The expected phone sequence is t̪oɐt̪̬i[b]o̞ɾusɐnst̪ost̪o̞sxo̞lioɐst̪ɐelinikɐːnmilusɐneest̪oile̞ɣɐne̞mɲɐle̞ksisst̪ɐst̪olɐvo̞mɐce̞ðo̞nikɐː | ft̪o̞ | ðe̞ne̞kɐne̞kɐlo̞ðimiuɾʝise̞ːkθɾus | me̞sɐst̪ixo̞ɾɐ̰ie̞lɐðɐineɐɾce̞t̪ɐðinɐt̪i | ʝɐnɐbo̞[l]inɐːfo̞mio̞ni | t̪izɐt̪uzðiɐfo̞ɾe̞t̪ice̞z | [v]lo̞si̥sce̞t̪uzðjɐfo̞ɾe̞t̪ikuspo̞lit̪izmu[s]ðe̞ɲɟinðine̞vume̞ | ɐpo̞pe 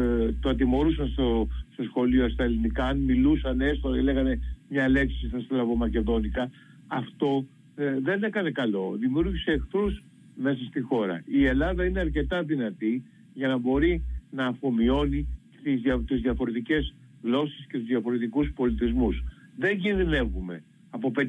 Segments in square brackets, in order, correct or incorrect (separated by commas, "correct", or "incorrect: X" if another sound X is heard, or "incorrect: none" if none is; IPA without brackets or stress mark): incorrect: m, incorrect: ɾ, incorrect: ɣ, correct